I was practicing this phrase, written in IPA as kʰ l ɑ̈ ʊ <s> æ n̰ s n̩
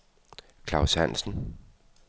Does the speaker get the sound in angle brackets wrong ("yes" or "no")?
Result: no